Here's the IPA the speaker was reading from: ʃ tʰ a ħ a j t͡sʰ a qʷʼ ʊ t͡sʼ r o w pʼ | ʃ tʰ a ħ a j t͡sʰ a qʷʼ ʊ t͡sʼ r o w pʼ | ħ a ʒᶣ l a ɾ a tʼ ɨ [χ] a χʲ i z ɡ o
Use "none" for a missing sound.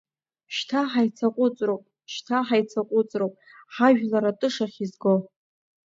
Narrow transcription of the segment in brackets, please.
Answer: ʂ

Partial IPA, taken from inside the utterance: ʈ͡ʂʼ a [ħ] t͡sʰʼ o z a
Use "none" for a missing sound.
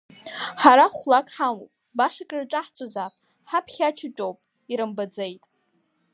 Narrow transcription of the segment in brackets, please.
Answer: ħ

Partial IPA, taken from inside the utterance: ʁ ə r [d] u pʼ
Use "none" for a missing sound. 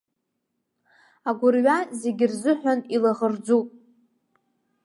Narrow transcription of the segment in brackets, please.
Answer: d͡z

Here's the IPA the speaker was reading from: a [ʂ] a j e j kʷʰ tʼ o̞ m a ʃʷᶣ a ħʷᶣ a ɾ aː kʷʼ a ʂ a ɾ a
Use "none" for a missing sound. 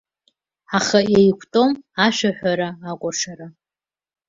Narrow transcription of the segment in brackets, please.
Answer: χ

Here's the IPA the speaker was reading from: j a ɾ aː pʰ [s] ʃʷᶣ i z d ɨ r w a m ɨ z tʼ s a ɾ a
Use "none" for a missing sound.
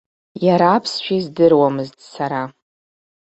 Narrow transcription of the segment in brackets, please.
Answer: s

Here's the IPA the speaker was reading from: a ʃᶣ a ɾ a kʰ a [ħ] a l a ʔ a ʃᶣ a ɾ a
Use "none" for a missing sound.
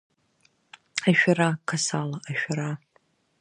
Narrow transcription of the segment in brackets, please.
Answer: s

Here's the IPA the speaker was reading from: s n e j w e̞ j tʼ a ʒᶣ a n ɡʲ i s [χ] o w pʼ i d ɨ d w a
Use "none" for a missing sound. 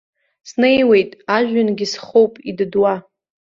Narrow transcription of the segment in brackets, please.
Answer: χ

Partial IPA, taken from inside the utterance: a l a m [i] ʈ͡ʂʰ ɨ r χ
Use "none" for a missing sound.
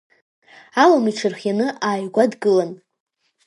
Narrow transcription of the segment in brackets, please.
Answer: i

